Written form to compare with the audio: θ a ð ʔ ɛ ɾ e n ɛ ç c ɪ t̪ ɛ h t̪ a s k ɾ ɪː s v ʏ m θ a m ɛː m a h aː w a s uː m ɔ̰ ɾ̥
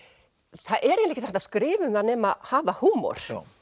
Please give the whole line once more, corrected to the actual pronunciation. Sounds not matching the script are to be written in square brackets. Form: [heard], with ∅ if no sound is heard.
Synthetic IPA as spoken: θ a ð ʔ ɛ ɾ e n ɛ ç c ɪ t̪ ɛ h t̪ a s k ɾ ɪː [∅] v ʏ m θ a [n] ɛː m a h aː [v] a [h] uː m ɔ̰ ɾ̥